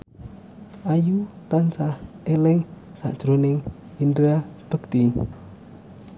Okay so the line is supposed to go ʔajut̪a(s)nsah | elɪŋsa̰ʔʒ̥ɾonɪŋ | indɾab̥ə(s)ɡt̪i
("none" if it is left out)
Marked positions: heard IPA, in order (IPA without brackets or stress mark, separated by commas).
none, none